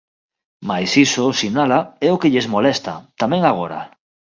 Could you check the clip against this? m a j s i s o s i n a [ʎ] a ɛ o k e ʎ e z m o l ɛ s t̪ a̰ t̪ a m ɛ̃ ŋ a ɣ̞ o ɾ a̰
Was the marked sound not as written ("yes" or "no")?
yes